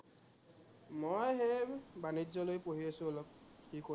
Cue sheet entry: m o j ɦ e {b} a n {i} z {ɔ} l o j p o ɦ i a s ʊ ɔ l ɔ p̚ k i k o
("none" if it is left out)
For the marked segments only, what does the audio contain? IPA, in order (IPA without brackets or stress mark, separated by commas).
b, i, ɔ